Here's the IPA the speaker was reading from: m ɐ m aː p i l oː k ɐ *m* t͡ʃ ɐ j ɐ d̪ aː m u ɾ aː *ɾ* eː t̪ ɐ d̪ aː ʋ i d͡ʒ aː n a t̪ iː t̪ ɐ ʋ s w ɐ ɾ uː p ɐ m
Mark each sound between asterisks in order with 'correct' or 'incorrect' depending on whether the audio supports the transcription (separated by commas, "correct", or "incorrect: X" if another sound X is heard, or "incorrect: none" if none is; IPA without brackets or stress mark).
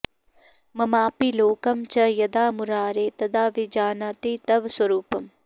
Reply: correct, correct